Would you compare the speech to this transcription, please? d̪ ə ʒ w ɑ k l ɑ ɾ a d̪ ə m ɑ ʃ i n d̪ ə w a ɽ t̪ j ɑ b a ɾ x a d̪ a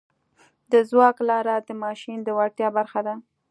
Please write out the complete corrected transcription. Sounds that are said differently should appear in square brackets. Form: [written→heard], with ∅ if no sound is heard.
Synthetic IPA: d̪ ə [ʒ→z] w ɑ k l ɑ ɾ a d̪ ə m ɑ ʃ i n d̪ ə w a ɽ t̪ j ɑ b a ɾ x a d̪ a